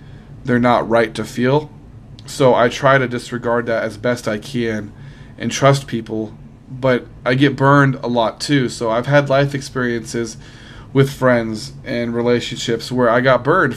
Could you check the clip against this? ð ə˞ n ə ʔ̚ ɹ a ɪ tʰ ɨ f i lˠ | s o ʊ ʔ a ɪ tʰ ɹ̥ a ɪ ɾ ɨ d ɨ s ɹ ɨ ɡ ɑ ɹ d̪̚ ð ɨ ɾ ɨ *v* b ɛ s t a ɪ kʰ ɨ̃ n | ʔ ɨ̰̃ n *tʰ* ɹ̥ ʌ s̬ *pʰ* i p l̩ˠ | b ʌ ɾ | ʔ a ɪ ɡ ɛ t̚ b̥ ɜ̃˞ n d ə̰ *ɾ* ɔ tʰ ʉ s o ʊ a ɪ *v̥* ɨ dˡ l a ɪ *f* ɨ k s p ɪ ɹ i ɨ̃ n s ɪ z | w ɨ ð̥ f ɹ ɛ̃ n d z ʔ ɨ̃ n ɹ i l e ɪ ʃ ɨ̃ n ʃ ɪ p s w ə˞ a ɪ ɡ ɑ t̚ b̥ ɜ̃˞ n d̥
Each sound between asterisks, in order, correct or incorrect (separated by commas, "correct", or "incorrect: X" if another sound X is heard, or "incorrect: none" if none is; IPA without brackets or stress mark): incorrect: z, correct, correct, incorrect: l, correct, correct